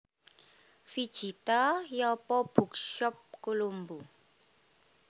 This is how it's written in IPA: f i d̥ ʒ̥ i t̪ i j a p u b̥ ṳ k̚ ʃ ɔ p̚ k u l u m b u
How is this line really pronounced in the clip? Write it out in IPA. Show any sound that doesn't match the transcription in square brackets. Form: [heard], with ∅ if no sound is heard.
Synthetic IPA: f i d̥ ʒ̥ i t̪ [a] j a p [ɔ] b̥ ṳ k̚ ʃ ɔ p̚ k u l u m b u

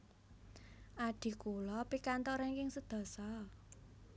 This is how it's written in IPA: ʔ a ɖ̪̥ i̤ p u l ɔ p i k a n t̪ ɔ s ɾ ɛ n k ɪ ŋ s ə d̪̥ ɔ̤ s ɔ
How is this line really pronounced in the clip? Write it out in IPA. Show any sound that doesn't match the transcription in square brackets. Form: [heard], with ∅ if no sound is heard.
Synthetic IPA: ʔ a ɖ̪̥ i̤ [k] u l ɔ p i k a n t̪ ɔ [∅] ɾ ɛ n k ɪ ŋ s ə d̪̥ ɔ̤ s ɔ

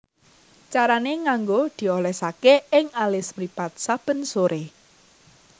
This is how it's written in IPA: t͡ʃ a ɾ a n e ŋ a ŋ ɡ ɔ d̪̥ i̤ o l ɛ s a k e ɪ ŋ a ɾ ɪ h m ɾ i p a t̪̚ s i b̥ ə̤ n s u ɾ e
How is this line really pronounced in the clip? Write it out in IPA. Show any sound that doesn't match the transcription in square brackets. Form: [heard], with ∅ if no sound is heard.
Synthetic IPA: t͡ʃ a ɾ a n e ŋ a ŋ ɡ [o] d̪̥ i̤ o l ɛ s a k e ɪ ŋ a [l] ɪ [s] m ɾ i p a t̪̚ s [a] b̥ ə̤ n s [o] ɾ e

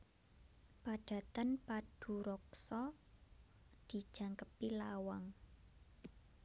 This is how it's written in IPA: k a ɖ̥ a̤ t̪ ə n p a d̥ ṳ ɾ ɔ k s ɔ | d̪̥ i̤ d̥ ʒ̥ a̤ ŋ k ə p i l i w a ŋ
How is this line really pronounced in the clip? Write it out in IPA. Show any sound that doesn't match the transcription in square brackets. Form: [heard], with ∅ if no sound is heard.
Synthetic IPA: [p] a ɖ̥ a̤ t̪ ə n p a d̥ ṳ ɾ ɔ k s ɔ | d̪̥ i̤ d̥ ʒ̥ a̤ ŋ k ə p i l [a] w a ŋ

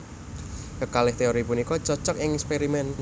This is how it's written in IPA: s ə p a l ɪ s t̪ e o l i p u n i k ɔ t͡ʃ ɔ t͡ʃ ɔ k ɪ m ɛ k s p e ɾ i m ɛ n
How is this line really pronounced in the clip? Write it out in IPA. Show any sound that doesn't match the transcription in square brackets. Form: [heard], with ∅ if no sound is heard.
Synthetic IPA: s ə [k] a l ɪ [h] t̪ e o [ɾ] i p u n i k ɔ t͡ʃ ɔ t͡ʃ ɔ k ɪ [ŋ] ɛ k s p e ɾ i m ɛ n

